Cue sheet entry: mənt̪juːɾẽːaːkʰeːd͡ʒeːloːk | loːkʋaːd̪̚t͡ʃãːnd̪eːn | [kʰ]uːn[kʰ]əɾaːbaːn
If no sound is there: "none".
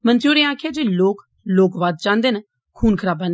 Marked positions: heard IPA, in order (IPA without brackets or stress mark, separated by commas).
kʰ, kʰ